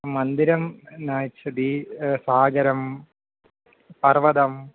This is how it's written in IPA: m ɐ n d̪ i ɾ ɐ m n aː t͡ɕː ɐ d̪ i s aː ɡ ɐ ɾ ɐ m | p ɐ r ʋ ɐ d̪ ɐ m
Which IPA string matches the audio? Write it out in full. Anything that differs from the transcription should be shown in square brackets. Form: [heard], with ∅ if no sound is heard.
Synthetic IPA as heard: m ɐ n d̪ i ɾ ɐ m n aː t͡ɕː ɐ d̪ i s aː ɡ ɐ ɾ ɐ m | p ɐ r ʋ ɐ d̪ ɐ m